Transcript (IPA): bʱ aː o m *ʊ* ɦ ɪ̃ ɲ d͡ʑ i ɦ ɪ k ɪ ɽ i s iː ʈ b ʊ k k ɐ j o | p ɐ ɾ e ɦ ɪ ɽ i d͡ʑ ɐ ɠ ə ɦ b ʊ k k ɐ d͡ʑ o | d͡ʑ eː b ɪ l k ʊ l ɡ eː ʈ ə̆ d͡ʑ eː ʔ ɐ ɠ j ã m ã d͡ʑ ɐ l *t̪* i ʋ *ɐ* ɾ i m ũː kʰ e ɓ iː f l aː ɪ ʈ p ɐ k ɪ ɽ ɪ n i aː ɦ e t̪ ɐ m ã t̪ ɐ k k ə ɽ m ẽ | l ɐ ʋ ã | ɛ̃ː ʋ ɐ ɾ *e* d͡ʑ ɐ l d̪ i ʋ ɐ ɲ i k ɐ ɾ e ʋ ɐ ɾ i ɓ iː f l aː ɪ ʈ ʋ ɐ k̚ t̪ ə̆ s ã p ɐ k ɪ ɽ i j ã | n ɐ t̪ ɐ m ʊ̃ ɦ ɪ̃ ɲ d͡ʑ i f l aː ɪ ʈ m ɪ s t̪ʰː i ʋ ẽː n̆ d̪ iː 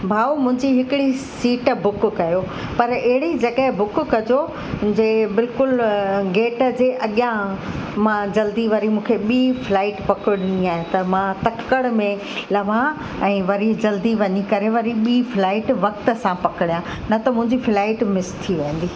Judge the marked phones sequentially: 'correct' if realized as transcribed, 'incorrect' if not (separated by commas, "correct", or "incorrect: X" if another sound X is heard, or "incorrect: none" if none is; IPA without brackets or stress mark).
incorrect: ʊ̃, incorrect: d̪, correct, incorrect: i